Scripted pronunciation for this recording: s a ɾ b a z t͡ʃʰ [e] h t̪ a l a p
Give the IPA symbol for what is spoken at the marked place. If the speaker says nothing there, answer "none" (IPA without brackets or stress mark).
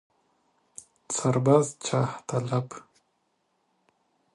a